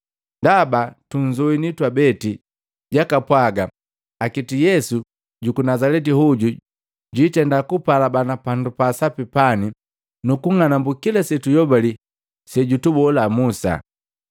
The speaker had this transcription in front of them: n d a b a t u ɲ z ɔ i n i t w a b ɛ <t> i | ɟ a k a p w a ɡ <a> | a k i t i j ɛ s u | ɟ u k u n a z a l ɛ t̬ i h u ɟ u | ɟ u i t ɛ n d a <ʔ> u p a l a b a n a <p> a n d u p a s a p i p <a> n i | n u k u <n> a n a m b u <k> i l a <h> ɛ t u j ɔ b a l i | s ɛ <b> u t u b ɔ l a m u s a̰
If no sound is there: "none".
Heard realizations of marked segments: t, a, k, p, a, ŋ, k, s, ɟ

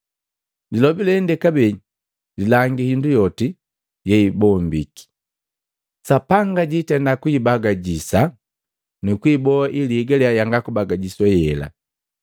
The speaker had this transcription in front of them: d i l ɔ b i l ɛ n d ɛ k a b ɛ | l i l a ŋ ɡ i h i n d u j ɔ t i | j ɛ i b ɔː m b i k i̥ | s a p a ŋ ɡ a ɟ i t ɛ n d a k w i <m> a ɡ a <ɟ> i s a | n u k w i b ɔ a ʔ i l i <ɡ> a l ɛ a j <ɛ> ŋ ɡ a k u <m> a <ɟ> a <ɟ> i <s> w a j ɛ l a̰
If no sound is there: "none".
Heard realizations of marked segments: b, ɟ, ɡ, a, b, ɡ, ɟ, s

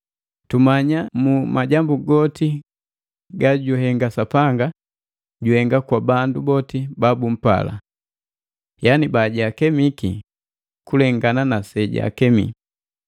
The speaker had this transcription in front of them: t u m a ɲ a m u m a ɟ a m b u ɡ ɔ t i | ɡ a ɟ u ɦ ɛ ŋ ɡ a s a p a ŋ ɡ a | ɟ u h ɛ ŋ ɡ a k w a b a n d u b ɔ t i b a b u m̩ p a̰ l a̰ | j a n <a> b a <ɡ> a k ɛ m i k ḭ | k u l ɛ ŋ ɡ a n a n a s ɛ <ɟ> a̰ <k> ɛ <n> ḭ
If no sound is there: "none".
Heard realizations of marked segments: i, ɟ, ɟ, k, m

